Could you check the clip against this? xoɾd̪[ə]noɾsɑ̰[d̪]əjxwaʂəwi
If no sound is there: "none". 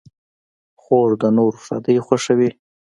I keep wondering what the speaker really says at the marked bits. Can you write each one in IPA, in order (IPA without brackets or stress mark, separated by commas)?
ə, d̪